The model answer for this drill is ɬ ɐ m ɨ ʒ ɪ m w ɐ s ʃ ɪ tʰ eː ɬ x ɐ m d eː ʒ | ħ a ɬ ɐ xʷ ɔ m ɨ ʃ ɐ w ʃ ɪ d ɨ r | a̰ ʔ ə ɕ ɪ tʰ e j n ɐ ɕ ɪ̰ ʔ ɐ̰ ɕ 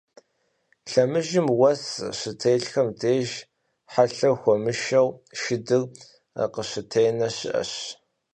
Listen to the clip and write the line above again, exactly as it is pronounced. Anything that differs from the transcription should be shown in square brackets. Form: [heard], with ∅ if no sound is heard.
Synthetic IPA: ɬ ɐ m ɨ ʒ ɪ m w ɐ s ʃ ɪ tʰ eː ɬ x ɐ m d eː ʒ | ħ a ɬ ɐ xʷ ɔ m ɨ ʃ ɐ w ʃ ɪ d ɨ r | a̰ [q] ə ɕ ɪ tʰ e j n ɐ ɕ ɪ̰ ʔ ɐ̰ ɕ